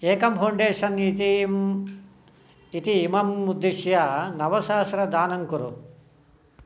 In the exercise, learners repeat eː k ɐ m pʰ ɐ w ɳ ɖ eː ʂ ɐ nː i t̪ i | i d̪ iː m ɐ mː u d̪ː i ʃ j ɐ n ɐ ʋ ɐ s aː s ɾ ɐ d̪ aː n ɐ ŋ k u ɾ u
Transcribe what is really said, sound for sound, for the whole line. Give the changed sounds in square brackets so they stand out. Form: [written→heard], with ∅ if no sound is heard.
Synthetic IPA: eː k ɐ m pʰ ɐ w ɳ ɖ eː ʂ ɐ [nː→n] i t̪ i | i [d̪→t̪] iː m ɐ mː u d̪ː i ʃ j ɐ n ɐ ʋ ɐ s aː s ɾ ɐ d̪ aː n ɐ ŋ k u ɾ u